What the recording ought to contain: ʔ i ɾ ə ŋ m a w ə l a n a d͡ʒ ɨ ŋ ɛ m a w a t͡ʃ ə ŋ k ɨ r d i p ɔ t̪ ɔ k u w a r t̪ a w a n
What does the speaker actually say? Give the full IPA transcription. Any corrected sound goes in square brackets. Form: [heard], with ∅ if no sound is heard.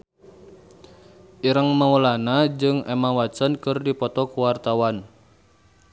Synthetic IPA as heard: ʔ i ɾ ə ŋ m a w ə l a n a d͡ʒ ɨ ŋ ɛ m a w a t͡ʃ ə [n] k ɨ r d i p ɔ t̪ ɔ k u w a r t̪ a w a n

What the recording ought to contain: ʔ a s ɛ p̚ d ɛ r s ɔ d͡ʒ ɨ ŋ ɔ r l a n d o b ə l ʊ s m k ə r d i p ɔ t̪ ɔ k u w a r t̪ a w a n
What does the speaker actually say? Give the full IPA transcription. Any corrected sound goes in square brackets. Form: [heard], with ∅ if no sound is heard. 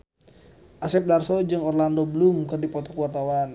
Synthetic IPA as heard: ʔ a s ɛ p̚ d [a] r s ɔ d͡ʒ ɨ ŋ ɔ r l a n d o b ə l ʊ [∅] m k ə r d i p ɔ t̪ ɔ k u w a r t̪ a w a n

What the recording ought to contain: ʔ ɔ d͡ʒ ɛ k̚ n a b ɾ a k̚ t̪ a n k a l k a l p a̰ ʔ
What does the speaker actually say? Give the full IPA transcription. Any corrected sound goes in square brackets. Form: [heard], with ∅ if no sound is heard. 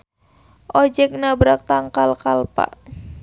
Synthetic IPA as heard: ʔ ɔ d͡ʒ ɛ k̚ n a b ɾ a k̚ t̪ a [ŋ] k a l k a l p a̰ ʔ

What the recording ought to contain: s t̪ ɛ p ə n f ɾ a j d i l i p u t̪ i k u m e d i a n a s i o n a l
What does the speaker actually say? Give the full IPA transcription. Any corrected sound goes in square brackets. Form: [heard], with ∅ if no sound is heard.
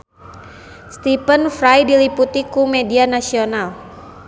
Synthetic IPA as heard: s t̪ [i] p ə n f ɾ a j d i l i p u t̪ i k u m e d i a n a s i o n a l

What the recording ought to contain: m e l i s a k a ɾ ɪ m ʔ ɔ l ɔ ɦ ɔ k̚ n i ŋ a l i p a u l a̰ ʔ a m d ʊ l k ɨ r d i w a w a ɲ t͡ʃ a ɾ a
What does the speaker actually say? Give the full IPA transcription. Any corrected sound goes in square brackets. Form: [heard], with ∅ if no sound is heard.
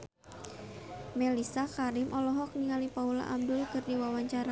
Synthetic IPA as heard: m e l i s a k a ɾ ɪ m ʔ ɔ l ɔ ɦ ɔ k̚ n i ŋ a l i p a u l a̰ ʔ a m d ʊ l k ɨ r d i w a w a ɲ t͡ʃ a ɾ a

